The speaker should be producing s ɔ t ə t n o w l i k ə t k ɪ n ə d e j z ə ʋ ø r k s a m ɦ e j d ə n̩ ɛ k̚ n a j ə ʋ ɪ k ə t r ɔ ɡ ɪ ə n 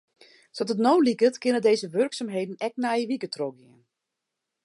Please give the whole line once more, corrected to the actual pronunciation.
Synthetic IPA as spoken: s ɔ t ə t n o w l i k ə t k ɪ n ə d e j z ə ʋ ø r k s a m ɦ e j d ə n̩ ɛ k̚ n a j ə ʋ i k ə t r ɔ ɡ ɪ ə n